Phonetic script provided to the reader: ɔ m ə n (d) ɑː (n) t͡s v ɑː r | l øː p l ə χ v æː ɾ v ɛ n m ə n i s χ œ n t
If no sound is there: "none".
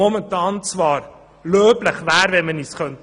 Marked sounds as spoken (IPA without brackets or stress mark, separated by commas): t, n